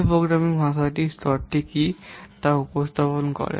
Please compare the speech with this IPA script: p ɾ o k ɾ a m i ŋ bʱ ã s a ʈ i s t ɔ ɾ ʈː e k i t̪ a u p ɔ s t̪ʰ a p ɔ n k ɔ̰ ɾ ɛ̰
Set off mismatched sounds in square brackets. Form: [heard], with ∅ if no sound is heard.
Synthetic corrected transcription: p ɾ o [ɡ] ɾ a m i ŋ bʱ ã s a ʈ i s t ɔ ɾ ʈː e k i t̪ a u p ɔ s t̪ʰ a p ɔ n k ɔ̰ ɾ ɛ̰